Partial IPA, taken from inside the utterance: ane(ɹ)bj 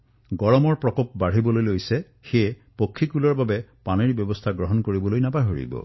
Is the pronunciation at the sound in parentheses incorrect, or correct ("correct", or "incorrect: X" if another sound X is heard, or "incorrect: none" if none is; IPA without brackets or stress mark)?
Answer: correct